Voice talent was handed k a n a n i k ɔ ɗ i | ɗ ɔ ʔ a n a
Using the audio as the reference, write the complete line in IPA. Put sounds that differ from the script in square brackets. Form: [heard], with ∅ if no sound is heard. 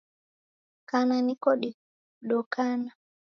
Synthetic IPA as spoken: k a n a n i k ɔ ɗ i | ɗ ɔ [k] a n a